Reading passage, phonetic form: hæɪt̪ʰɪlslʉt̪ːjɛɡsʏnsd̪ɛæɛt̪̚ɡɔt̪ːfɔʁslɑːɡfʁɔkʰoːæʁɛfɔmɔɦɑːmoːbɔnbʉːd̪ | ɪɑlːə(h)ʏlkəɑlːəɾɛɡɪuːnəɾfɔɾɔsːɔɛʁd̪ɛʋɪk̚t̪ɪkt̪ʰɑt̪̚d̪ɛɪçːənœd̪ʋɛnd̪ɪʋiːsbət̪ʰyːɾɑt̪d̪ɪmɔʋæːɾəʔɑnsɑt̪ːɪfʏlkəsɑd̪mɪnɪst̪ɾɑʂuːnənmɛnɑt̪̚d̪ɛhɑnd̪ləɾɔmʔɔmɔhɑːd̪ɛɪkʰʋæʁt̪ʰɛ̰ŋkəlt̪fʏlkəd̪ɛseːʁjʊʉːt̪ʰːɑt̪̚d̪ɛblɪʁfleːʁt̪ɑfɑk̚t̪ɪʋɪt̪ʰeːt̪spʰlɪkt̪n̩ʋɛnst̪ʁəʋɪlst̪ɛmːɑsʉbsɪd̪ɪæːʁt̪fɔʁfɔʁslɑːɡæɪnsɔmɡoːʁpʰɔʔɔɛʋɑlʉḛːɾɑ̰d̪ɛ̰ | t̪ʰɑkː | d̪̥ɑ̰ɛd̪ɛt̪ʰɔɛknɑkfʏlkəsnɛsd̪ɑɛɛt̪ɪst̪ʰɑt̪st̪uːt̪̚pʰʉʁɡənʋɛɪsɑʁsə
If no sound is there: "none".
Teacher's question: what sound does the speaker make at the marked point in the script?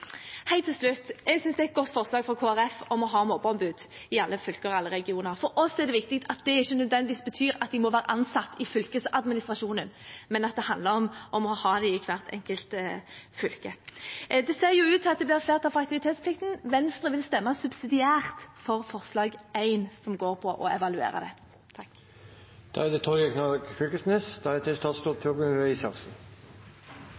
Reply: f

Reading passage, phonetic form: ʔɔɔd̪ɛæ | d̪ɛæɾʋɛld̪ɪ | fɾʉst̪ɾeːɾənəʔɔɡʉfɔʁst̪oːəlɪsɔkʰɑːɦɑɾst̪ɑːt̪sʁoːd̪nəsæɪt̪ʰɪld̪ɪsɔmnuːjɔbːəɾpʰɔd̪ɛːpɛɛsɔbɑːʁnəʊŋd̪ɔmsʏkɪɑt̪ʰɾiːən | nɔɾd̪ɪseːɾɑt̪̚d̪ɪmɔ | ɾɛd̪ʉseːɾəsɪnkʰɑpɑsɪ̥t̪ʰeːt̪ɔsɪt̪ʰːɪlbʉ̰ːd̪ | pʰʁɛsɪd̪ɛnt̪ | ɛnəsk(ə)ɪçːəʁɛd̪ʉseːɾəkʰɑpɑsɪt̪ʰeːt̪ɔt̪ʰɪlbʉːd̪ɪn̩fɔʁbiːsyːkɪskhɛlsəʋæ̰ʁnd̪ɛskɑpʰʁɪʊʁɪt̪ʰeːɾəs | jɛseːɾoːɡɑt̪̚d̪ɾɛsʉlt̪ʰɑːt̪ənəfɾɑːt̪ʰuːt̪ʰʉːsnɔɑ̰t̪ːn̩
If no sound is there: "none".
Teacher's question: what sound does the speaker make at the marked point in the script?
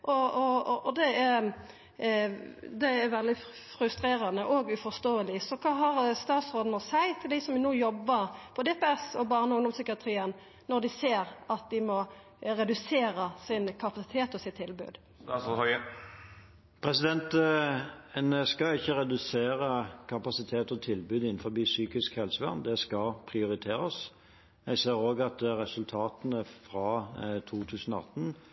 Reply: ɑ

